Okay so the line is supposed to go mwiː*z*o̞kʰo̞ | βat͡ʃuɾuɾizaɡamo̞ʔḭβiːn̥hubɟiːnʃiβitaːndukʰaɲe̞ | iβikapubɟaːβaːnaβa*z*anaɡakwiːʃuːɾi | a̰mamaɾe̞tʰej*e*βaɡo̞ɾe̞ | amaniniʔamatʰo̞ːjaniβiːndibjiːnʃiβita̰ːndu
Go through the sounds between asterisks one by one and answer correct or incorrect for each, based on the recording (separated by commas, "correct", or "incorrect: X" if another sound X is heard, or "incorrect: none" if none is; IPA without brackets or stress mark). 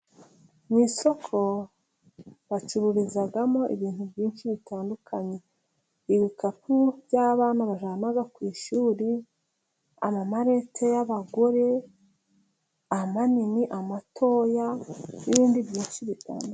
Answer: incorrect: s, incorrect: ʒ, incorrect: a